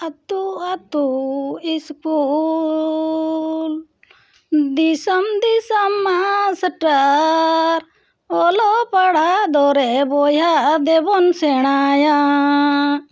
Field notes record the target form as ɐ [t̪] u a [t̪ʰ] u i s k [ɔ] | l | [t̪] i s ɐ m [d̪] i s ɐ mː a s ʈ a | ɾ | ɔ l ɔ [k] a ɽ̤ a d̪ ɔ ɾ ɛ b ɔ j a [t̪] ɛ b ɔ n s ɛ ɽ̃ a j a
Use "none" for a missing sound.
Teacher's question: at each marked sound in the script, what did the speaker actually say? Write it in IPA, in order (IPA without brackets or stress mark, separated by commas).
t̪, t̪, u, d̪, d̪, p, d̪